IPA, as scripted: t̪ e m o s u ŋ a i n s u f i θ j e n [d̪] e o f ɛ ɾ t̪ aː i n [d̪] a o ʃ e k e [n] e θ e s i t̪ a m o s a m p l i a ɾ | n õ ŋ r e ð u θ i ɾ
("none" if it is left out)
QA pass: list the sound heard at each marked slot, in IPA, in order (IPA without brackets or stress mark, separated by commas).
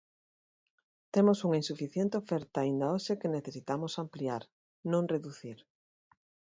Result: t̪, d̪, n